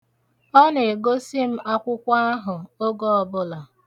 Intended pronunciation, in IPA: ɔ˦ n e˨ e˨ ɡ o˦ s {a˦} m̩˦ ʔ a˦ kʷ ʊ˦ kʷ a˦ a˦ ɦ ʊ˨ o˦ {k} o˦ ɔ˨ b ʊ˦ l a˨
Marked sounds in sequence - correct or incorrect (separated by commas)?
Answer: incorrect, incorrect